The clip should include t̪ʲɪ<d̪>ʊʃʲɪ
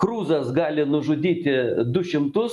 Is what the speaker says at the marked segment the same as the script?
yes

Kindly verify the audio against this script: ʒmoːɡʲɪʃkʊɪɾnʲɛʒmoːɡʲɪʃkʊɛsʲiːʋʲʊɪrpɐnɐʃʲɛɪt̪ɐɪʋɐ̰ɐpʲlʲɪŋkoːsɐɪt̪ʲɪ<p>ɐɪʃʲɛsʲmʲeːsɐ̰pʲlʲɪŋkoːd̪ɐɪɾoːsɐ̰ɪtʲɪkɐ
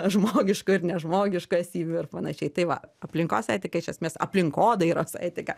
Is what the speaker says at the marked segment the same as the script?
no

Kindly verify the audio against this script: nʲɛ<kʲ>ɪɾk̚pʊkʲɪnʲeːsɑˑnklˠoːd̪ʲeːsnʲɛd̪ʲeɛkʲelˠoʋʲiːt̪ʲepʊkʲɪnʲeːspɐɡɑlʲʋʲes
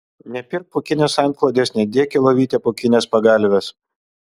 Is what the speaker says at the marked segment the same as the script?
no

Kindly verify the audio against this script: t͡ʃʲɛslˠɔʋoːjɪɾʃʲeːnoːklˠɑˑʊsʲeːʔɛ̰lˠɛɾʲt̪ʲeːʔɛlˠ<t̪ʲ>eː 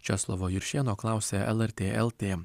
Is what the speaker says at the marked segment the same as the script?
yes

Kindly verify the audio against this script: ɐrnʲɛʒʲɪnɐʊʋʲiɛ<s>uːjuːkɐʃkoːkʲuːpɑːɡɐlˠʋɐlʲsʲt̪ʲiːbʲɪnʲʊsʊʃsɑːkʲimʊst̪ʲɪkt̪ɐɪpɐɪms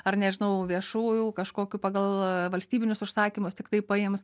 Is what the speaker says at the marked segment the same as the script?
no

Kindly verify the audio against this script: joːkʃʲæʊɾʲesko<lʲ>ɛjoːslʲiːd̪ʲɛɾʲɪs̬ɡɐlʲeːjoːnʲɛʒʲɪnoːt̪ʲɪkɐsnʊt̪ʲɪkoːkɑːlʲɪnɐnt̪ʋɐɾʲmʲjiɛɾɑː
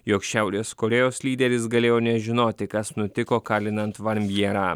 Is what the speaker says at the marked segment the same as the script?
no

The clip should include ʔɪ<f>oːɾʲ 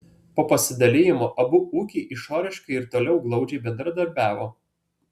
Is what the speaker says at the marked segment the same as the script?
no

